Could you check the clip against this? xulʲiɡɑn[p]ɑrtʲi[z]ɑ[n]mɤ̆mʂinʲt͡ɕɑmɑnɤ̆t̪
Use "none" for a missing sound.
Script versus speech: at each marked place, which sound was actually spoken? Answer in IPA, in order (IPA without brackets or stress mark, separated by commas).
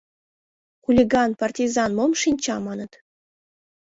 p, z, n